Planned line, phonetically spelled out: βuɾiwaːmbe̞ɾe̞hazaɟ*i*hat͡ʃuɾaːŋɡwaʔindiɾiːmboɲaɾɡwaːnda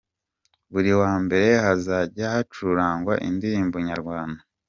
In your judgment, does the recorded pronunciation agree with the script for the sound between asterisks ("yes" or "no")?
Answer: no